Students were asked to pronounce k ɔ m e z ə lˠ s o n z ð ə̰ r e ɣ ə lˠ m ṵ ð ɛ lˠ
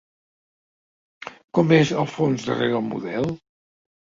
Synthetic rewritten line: k ɔ m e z ə lˠ f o n z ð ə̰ r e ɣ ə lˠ m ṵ ð ɛ lˠ